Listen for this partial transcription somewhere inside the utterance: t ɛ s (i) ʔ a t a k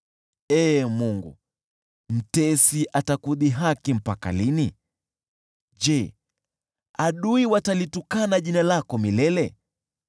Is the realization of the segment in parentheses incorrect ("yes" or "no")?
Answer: no